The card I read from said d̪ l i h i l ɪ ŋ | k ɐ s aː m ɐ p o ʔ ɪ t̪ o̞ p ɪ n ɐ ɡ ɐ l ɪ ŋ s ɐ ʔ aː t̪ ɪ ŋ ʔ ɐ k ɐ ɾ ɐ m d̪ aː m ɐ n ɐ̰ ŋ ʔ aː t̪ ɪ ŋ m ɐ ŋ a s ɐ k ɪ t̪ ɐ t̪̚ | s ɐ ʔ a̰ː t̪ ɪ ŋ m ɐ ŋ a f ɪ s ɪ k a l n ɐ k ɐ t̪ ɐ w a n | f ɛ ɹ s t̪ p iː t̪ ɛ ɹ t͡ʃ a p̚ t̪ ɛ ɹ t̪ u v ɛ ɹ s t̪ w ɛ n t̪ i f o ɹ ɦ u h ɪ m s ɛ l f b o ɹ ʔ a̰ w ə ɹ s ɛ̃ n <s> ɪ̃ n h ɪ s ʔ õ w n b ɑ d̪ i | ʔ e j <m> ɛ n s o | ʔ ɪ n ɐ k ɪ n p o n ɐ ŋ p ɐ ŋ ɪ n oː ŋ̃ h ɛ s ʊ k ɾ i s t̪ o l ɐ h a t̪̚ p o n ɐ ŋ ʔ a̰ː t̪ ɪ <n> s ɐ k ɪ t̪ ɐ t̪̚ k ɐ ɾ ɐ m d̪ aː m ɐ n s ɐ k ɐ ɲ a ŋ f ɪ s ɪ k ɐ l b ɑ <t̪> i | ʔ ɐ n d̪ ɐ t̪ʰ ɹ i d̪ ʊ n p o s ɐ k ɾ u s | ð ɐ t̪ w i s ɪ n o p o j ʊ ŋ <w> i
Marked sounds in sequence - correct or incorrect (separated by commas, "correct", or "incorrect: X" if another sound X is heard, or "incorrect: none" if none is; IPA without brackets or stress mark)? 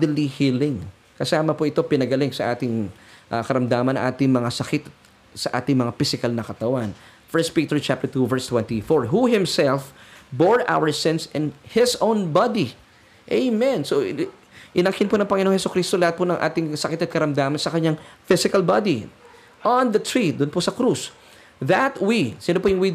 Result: correct, correct, incorrect: ŋ, incorrect: d̪, correct